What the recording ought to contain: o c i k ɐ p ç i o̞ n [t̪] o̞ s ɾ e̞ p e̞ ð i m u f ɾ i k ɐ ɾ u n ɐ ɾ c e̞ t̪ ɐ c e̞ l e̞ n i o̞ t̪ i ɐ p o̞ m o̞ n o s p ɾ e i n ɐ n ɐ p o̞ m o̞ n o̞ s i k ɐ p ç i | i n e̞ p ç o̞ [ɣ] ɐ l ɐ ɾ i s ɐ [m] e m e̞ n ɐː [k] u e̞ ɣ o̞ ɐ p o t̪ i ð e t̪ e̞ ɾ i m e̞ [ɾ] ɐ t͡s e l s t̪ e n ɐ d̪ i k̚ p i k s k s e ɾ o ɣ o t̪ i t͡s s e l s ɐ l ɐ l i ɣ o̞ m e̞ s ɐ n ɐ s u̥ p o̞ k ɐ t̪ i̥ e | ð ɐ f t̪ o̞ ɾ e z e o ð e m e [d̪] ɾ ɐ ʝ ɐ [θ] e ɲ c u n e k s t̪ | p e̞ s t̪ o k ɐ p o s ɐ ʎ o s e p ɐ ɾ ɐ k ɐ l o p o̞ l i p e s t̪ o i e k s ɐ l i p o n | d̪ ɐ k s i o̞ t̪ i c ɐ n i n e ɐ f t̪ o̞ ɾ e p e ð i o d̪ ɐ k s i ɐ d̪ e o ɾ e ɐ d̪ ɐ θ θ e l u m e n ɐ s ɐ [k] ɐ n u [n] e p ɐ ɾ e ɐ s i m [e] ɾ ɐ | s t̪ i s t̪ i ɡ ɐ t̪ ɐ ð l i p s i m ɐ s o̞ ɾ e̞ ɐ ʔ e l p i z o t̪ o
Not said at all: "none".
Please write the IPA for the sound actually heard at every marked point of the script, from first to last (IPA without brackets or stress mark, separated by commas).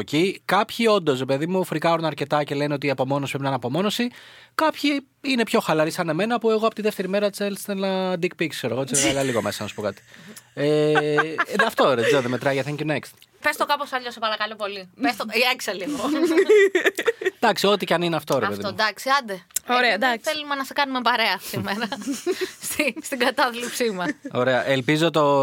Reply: d̪, x, n, p, ɾ, t̪, θ, k, m, e